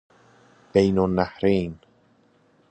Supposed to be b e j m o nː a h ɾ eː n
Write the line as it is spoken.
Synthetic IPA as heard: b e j n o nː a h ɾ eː n